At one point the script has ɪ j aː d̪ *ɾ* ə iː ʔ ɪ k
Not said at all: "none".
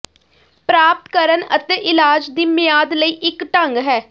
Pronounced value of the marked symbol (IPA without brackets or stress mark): l